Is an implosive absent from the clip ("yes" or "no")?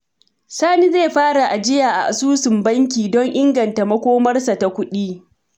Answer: no